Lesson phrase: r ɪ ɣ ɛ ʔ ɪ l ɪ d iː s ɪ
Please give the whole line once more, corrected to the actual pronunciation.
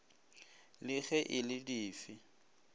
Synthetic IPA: l ɪ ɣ ɛ ʔ ɪ l ɪ d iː f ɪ

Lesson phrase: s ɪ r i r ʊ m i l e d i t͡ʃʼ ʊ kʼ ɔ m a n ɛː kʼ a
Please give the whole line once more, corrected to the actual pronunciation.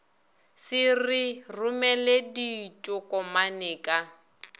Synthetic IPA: s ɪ r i r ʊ m ɛ l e d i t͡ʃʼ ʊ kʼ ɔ m a n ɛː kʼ a

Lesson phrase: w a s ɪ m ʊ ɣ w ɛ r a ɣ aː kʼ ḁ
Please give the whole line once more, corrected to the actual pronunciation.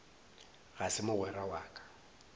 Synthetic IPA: ɣ a s ɪ m ʊ ɣ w ɛ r a w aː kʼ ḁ

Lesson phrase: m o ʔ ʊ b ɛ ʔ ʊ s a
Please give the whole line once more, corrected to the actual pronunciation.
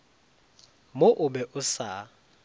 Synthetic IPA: m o ʔ ʊ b ɛ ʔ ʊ s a

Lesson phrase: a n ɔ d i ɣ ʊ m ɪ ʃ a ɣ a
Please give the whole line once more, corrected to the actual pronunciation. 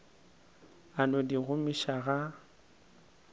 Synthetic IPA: a n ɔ d i ɣ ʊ m i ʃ a ɣ a

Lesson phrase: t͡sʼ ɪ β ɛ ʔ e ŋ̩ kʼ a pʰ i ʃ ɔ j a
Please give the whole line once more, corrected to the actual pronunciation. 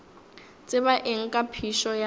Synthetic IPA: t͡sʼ ɪ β a ʔ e ŋ̩ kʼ a pʰ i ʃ ɔ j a

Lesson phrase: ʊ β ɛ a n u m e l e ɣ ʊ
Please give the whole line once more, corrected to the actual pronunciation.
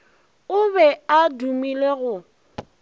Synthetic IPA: ʊ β ɛ a d u m i l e ɣ ʊ

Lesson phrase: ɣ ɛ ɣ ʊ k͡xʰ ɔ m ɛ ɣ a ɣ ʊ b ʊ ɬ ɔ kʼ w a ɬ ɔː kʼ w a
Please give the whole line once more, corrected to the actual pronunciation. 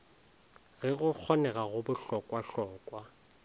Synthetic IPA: ɣ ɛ ɣ ʊ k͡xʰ ɔ n ɛ ɣ a ɣ ʊ b ʊ ɬ ɔ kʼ w a ɬ ɔː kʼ w a

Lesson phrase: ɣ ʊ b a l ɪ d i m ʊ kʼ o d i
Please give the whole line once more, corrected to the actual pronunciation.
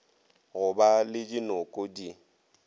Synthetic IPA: ɣ ʊ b a l ɪ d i n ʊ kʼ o d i

